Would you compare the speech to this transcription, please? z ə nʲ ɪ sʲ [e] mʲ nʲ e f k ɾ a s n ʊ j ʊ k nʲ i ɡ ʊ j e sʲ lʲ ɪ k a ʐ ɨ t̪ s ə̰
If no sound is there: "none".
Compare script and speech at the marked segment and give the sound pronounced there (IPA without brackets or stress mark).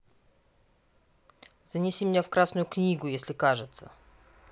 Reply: i